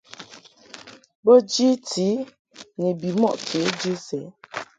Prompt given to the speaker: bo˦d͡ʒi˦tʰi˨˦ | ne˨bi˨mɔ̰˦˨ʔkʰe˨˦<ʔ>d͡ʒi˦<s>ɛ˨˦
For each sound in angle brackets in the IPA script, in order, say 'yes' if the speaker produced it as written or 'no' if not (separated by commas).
no, yes